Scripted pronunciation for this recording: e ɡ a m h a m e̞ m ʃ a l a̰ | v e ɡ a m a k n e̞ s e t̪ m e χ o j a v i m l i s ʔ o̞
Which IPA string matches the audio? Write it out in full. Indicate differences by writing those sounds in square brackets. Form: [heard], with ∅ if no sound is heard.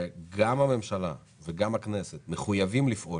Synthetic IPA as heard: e ɡ a m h a m e̞ m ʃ a l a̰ | v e ɡ a m a k n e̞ s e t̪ m e χ [u] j a v i m l i [f] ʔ o̞